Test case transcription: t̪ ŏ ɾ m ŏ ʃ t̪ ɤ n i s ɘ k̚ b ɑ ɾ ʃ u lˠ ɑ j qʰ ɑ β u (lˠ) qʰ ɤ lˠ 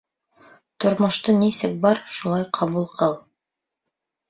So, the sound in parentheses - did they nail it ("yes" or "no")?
yes